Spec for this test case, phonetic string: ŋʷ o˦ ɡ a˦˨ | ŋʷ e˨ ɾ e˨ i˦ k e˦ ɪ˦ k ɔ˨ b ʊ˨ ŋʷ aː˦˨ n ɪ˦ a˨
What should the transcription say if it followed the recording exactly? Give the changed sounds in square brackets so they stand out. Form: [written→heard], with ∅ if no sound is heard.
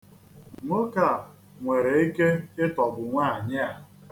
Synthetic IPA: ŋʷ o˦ [ɡ→k] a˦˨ | ŋʷ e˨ ɾ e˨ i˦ k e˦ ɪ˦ [k→t] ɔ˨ b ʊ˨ ŋʷ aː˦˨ [n→ɲ] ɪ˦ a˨